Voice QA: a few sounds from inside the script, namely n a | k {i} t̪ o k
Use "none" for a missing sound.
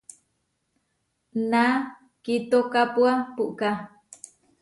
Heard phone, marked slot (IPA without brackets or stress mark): i